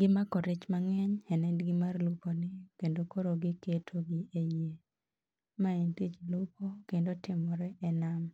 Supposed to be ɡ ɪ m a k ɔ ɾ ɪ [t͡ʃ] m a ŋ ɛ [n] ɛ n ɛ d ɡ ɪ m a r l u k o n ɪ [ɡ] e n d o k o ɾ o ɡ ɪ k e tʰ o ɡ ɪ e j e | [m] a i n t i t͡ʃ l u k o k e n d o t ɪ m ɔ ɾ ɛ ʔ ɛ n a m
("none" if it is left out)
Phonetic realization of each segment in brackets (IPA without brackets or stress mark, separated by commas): t͡ʃ, ɲ, k, m